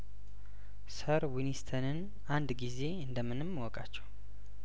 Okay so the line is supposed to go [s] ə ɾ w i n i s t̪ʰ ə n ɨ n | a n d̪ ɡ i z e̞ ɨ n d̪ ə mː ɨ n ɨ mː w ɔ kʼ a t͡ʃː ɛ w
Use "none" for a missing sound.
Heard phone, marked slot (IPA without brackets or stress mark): s